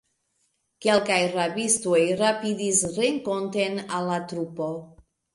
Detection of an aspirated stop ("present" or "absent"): absent